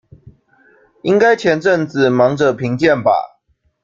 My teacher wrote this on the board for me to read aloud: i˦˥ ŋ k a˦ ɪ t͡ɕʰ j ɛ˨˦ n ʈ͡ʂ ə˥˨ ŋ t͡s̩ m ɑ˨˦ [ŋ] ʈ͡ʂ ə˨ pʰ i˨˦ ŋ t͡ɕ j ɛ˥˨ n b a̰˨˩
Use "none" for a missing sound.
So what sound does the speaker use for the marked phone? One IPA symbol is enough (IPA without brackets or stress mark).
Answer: ŋ